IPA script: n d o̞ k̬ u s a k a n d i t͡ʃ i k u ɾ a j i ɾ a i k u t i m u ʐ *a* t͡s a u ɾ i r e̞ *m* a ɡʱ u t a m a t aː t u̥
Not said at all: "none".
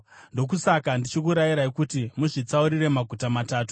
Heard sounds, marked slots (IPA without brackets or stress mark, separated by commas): i, m